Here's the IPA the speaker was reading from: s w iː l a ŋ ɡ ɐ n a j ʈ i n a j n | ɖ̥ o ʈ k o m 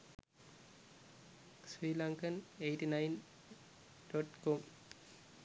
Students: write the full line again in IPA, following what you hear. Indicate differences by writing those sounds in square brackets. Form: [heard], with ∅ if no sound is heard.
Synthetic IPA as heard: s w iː l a ŋ [k] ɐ n [e] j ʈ i n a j n | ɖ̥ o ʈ k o m